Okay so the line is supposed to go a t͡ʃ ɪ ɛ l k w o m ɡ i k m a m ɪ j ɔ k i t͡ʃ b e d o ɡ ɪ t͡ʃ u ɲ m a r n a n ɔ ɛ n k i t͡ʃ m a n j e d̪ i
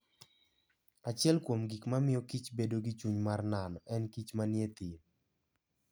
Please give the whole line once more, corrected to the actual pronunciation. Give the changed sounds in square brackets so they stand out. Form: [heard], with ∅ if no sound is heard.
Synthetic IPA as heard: a t͡ʃ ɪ ɛ l k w o m ɡ i k m a m ɪ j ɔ k i t͡ʃ b e d o ɡ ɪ t͡ʃ u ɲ m a r n a n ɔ ɛ n k i t͡ʃ m a n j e [t̪] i